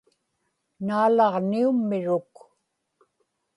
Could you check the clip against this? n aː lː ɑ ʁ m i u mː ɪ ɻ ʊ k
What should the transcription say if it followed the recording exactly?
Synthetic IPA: n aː l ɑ ʁ n i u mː ɪ ɻ ʊ k

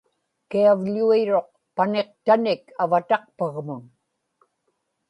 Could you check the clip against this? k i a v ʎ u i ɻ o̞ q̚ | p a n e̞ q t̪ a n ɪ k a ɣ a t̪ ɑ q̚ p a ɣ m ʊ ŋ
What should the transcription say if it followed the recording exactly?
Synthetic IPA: k i a v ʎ u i ɻ o̞ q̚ | p a n e̞ q t̪ a n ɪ k a v a t̪ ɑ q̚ p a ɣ m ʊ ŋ

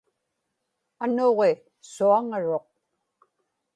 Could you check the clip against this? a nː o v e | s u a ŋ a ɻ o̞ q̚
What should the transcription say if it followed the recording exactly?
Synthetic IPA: a n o ʁ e | s u a ŋ a ɻ o̞ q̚

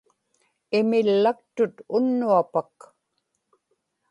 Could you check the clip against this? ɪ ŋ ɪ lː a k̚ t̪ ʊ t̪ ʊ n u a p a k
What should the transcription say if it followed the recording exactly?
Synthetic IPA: ɪ m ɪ lː a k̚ t̪ ʊ t̪ ʊ nː u a p a k

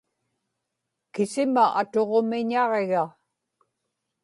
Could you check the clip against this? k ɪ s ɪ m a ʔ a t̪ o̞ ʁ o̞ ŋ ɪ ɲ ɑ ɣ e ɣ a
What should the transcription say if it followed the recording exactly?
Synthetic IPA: k ɪ s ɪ m a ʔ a t̪ o̞ ʁ o̞ m ɪ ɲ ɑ ʁ e ɣ a

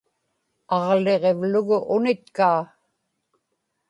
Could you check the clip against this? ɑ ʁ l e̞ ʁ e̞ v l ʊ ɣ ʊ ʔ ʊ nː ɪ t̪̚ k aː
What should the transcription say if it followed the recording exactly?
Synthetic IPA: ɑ ʁ l e̞ ʁ e̞ v l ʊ ɣ ʊ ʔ ʊ n ɪ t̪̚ k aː

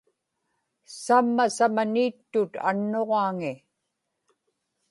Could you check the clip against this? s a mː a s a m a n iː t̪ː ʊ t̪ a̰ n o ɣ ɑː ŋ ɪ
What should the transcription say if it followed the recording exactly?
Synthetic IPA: s a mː a s a m a n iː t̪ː ʊ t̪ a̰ nː o ʁ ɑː ŋ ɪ

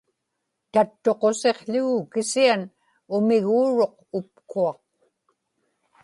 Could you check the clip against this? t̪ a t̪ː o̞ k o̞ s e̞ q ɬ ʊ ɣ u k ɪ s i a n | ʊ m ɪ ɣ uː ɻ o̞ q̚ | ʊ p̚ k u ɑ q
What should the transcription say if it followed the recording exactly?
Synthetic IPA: t̪ a t̪ː o̞ q o̞ s e̞ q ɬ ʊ ɣ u k ɪ s i a n | ʊ m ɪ ɣ uː ɻ o̞ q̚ | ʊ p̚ k u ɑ q

